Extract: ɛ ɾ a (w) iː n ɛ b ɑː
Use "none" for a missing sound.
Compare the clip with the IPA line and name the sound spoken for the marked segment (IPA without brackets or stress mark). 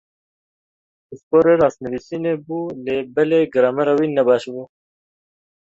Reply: w